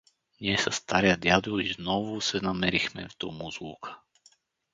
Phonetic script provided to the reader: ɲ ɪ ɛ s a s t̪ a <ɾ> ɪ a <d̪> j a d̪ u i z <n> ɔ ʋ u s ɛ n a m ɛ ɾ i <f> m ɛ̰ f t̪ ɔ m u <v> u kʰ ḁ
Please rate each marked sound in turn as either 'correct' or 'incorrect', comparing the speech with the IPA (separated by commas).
correct, correct, correct, incorrect, incorrect